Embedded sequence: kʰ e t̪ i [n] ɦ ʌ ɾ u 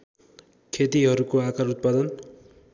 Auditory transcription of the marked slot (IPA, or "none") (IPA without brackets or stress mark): none